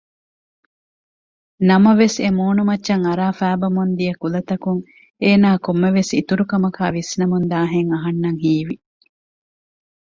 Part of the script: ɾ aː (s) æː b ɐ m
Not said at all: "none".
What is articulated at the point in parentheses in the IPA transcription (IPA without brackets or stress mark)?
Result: f